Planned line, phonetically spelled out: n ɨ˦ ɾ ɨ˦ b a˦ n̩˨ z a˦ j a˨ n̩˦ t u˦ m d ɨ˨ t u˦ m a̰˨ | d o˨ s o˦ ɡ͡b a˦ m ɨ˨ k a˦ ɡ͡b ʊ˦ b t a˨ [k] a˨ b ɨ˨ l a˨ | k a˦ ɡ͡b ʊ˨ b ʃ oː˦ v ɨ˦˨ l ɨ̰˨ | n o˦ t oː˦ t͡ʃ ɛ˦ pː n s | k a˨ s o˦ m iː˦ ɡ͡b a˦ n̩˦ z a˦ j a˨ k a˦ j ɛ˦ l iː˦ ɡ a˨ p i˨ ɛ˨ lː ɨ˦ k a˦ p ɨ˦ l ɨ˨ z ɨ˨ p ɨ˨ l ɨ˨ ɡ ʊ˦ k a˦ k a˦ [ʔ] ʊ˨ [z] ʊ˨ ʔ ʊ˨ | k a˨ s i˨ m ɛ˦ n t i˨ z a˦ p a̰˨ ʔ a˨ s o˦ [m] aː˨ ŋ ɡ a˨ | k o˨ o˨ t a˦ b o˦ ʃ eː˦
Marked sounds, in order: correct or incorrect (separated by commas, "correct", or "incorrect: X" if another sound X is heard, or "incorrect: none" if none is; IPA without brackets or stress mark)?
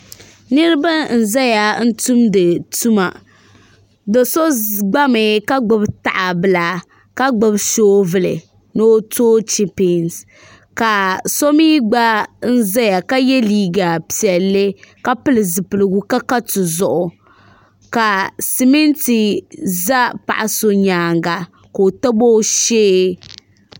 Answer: incorrect: ʔ, incorrect: t, correct, incorrect: ɲ